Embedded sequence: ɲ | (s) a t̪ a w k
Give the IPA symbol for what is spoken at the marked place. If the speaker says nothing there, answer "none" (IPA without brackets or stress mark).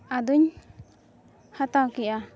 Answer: h